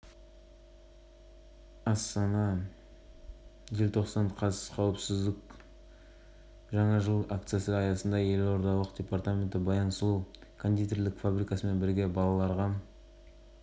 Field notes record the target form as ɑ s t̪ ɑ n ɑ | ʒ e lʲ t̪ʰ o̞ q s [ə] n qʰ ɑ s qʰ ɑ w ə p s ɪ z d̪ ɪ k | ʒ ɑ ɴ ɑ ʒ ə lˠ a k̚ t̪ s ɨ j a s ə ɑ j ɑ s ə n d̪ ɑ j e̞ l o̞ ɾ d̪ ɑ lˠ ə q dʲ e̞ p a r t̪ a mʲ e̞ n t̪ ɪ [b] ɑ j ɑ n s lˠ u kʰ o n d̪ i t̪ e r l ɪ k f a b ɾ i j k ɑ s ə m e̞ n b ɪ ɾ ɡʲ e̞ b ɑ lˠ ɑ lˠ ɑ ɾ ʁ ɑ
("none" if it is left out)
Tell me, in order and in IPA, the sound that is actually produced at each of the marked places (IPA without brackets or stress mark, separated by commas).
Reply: ɑ, b